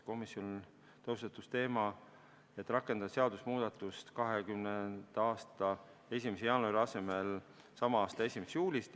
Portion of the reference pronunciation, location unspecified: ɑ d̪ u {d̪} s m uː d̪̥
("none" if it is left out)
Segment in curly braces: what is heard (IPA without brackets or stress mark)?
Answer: none